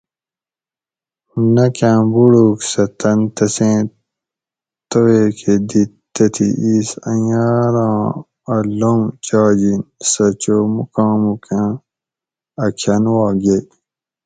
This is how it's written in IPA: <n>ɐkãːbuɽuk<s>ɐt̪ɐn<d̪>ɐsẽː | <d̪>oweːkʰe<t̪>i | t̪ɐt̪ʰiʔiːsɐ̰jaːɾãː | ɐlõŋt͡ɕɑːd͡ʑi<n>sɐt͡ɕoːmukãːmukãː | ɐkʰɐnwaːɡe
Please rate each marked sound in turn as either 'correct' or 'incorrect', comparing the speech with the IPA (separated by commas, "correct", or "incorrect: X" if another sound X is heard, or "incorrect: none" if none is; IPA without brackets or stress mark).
correct, correct, incorrect: t̪, incorrect: t̪, incorrect: d̪, correct